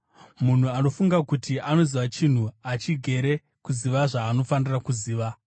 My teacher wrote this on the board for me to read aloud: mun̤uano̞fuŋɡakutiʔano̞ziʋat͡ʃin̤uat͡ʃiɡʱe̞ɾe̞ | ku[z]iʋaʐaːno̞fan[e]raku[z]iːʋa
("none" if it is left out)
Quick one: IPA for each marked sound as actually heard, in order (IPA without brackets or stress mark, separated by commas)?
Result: z, i, z